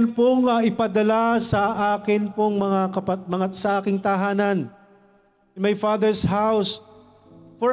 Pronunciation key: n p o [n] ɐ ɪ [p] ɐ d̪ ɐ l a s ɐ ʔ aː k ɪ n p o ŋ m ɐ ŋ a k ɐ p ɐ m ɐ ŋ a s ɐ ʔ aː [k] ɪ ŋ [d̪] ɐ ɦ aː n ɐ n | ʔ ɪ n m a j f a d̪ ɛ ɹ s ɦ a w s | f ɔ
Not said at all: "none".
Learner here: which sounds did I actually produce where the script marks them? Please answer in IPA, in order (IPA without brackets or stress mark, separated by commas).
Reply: ŋ, p, k, t̪